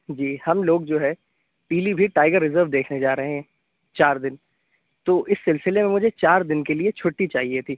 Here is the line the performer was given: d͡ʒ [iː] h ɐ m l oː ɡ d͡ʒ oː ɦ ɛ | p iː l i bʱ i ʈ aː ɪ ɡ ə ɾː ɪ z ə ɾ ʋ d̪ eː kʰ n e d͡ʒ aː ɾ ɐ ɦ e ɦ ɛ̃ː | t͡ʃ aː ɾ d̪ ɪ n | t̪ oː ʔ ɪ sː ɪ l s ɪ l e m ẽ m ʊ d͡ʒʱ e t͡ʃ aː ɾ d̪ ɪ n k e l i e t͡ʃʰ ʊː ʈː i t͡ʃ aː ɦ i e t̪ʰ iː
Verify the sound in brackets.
correct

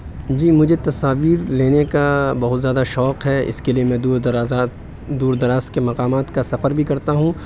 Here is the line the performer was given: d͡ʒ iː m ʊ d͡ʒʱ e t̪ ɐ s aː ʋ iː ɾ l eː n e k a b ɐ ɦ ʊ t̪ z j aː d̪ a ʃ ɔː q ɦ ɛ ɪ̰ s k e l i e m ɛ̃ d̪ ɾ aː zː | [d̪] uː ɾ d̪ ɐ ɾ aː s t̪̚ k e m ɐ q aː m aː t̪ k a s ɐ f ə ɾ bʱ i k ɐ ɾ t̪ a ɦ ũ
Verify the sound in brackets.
correct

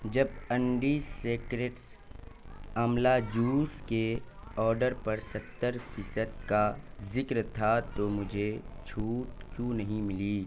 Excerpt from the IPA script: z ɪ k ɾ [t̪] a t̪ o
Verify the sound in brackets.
incorrect: t̪ʰ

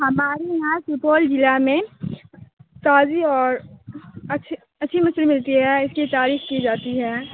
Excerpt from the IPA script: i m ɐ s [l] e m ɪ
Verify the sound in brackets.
correct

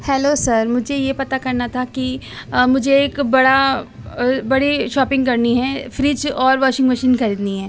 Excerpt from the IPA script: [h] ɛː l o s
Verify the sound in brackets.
correct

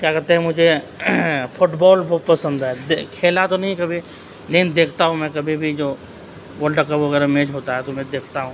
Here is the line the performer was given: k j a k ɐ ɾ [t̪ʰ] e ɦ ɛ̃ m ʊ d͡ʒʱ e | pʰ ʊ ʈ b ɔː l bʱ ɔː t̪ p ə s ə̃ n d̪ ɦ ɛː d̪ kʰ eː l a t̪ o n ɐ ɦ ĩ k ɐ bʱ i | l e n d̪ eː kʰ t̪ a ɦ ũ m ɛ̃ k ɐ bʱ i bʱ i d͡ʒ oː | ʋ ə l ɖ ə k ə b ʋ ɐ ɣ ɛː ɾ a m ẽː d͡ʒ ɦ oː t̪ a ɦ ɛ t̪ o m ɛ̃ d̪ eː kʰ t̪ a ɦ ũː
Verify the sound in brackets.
incorrect: t̪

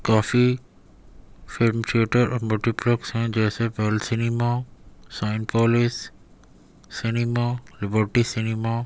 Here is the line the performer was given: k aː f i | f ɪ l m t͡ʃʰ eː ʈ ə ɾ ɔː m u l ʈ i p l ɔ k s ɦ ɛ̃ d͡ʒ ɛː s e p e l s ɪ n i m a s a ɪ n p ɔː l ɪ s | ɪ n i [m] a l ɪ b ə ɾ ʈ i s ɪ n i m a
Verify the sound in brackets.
correct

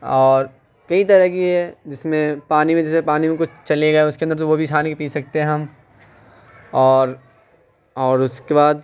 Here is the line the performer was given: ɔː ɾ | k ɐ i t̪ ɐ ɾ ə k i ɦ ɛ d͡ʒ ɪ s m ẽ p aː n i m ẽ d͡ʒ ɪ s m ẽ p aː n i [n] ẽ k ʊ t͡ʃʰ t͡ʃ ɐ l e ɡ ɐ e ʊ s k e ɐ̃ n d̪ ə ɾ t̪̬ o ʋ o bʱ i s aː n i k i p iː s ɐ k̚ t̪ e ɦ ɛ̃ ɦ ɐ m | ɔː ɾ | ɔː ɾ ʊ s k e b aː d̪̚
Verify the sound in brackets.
incorrect: m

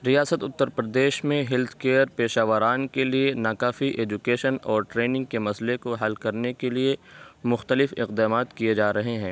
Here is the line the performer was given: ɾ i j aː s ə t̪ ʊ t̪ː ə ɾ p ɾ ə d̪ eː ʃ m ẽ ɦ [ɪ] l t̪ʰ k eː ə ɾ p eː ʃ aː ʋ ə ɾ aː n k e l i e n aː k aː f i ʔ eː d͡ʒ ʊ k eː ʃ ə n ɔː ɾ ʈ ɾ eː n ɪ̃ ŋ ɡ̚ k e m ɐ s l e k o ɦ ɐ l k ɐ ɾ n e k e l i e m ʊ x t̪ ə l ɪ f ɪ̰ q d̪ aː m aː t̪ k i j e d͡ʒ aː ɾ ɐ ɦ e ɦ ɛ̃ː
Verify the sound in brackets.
correct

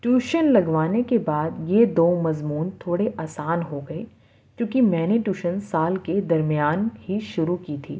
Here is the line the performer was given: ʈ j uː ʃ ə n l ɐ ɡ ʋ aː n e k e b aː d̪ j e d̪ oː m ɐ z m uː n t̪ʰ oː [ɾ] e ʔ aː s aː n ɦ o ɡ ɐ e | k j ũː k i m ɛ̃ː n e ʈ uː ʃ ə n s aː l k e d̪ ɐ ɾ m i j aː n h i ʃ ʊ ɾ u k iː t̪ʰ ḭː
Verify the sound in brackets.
incorrect: ɽ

